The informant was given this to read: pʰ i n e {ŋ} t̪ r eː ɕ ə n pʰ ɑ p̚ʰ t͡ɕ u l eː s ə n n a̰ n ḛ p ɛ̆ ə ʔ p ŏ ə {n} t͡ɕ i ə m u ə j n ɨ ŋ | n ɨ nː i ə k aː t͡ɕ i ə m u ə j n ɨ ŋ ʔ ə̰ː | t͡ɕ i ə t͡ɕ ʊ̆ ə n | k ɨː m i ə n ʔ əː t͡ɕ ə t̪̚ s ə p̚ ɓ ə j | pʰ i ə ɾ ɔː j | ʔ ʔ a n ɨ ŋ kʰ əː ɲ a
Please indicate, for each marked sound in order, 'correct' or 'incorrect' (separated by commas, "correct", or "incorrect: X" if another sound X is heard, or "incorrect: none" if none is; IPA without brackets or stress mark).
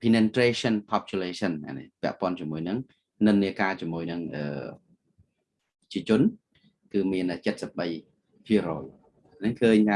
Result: incorrect: n, correct